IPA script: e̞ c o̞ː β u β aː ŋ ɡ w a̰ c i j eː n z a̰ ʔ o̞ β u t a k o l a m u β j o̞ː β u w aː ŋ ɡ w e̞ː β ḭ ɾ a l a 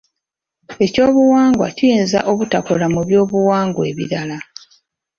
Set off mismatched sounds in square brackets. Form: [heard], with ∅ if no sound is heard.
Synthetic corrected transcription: e̞ c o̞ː β u [w] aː ŋ ɡ w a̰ c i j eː n z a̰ ʔ o̞ β u t a k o l a m u β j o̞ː β u w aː ŋ ɡ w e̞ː β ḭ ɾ a l a